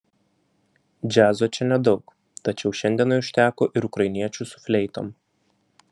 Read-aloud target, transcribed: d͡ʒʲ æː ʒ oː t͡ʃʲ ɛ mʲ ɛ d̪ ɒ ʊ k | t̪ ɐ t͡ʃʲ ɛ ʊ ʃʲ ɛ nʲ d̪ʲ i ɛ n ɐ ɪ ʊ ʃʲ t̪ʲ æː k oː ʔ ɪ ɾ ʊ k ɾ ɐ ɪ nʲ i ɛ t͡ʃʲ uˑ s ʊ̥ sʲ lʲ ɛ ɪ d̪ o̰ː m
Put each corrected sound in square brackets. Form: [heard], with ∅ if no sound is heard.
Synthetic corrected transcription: d͡ʒʲ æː [z] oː t͡ʃʲ ɛ [nʲ] ɛ d̪ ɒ ʊ k | t̪ ɐ t͡ʃʲ ɛ ʊ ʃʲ ɛ nʲ d̪ʲ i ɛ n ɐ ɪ ʊ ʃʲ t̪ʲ æː k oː ʔ ɪ ɾ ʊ k ɾ ɐ ɪ nʲ i ɛ t͡ʃʲ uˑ s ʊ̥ [fʲ] lʲ ɛ ɪ [t̪] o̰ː m

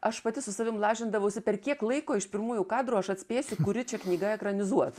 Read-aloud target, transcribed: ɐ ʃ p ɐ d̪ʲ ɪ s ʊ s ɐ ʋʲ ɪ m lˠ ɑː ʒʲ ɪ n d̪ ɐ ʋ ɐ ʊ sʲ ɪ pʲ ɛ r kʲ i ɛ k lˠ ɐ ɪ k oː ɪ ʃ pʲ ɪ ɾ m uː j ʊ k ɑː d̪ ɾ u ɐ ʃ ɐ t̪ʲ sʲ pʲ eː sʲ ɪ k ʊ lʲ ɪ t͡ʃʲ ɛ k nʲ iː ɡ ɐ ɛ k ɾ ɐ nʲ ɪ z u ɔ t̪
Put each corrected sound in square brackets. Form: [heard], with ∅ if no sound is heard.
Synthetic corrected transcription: ɐ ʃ p ɐ [t̪ʲ] ɪ s ʊ s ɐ ʋʲ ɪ m lˠ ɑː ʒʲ ɪ n d̪ ɐ ʋ ɐ ʊ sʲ ɪ pʲ ɛ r kʲ i ɛ k lˠ ɐ ɪ k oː ɪ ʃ pʲ ɪ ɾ m uː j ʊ k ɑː d̪ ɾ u ɐ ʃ ɐ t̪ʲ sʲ pʲ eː sʲ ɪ k ʊ [ɾʲ] ɪ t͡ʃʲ ɛ k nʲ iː ɡ ɐ ɛ k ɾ ɐ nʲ ɪ z u ɔ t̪

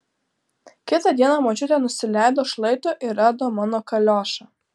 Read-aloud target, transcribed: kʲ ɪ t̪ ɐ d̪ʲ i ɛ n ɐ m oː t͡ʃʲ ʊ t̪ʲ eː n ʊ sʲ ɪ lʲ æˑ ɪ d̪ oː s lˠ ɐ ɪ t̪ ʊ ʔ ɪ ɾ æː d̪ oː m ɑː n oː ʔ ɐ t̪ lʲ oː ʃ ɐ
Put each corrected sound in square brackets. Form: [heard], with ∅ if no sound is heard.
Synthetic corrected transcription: kʲ ɪ t̪ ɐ d̪ʲ i ɛ n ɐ m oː t͡ʃʲ ʊ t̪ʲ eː n ʊ sʲ ɪ lʲ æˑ ɪ d̪ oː [ʃ] lˠ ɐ ɪ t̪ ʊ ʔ ɪ ɾ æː d̪ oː m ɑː n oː [k] ɐ [∅] lʲ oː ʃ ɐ

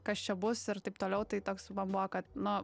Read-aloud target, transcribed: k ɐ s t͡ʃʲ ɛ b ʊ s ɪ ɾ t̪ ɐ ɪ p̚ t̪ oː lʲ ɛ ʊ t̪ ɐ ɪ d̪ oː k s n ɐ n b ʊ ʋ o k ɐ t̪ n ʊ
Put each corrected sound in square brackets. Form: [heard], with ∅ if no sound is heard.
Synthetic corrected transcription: k ɐ s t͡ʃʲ ɛ b ʊ s ɪ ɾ t̪ ɐ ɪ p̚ t̪ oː lʲ ɛ ʊ t̪ ɐ ɪ [t̪] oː k s [m] ɐ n b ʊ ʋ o k ɐ t̪ n ʊ

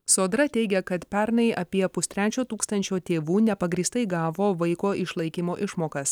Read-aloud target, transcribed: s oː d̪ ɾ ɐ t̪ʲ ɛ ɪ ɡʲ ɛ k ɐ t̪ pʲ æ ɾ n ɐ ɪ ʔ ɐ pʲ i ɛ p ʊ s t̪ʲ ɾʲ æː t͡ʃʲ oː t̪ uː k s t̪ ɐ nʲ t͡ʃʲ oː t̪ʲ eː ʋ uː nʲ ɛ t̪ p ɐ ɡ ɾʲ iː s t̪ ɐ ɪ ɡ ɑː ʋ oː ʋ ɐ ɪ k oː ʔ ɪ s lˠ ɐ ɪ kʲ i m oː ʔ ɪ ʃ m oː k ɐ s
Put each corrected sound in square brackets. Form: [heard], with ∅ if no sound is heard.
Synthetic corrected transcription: s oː d̪ ɾ ɐ t̪ʲ ɛ ɪ ɡʲ ɛ k ɐ t̪ pʲ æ ɾ n ɐ ɪ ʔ ɐ pʲ i ɛ p ʊ s t̪ʲ ɾʲ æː t͡ʃʲ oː t̪ uː k s t̪ ɐ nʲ t͡ʃʲ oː t̪ʲ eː ʋ uː nʲ ɛ [∅] p ɐ ɡ ɾʲ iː s t̪ ɐ ɪ ɡ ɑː ʋ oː ʋ ɐ ɪ k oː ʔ ɪ [ʃ] lˠ ɐ ɪ kʲ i m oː ʔ ɪ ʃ m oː k ɐ s

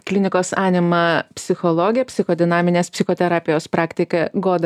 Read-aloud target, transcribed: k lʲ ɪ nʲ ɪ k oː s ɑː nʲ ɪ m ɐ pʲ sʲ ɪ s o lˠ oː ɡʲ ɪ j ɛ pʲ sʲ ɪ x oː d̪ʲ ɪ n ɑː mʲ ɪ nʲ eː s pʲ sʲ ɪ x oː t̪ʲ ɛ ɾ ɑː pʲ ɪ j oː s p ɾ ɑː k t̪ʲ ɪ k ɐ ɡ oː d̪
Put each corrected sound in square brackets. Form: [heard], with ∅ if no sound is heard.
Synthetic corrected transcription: k lʲ ɪ nʲ ɪ k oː s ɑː nʲ ɪ m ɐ pʲ sʲ ɪ [x] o lˠ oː ɡʲ ɪ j ɛ pʲ sʲ ɪ x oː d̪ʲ ɪ n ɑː mʲ ɪ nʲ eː s pʲ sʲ ɪ x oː t̪ʲ ɛ ɾ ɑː pʲ ɪ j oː s p ɾ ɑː k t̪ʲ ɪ k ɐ ɡ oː d̪

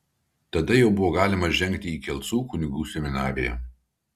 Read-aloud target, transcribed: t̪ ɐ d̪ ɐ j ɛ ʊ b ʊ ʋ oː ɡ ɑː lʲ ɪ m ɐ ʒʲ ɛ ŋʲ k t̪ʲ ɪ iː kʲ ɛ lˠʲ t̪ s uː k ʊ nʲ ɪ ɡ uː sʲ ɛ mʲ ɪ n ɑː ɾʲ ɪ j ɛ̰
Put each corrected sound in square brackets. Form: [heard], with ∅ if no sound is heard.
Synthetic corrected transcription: t̪ ɐ d̪ ɐ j ɛ ʊ b ʊ ʋ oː ɡ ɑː lʲ ɪ m ɐ ʒʲ ɛ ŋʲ k t̪ʲ ɪ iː kʲ ɛ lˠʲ t̪ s uː k ʊ nʲ ɪ ɡ uː sʲ ɛ mʲ ɪ n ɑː ɾʲ ɪ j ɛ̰

